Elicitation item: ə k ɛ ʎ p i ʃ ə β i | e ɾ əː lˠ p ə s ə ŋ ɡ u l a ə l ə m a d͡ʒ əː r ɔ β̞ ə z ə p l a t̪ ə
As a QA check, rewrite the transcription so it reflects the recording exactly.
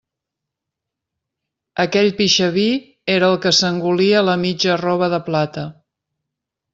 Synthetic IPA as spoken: ə k ɛ ʎ p i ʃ ə β i | e ɾ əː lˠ k ə s ə ŋ ɡ u l i ə l ə m i d͡ʒ ə r ɔ β̞ ə ð ə p l a t̪ ə